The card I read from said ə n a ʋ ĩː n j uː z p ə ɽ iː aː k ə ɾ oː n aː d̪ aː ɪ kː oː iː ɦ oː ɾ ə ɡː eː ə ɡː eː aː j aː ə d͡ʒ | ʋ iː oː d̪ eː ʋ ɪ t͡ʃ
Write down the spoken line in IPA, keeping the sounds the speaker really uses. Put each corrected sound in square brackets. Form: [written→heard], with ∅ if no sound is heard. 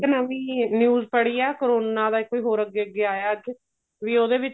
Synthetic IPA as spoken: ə n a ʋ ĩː n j uː z p ə ɽ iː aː k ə ɾ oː n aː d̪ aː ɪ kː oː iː ɦ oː ɾ ə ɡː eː ə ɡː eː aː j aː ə d͡ʒ | ʋ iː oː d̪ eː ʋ ɪ t͡ʃ